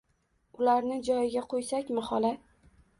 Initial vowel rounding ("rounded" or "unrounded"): rounded